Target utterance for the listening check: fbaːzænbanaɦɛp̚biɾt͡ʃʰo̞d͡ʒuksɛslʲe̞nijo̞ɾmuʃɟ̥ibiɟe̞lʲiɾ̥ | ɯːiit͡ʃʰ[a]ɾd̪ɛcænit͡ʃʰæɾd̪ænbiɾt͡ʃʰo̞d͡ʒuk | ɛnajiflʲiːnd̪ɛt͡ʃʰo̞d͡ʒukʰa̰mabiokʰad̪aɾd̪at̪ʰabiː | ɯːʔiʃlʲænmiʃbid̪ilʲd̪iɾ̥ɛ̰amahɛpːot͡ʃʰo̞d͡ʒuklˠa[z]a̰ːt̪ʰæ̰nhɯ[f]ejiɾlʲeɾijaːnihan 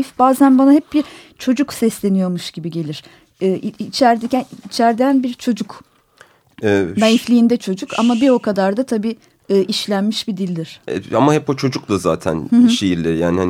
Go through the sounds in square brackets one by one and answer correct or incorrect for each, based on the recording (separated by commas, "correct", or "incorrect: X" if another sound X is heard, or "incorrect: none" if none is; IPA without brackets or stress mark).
incorrect: æ, correct, incorrect: ʃ